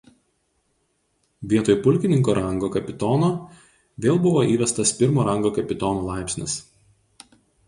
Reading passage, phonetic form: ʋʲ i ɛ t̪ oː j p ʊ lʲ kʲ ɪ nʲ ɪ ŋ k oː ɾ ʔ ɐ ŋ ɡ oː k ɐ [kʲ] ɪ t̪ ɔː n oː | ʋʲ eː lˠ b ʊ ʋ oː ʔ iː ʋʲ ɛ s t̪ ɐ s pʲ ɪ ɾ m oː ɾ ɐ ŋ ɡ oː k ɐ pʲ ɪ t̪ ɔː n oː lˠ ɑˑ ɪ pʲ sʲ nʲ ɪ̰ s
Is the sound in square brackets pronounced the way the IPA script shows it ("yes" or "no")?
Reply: no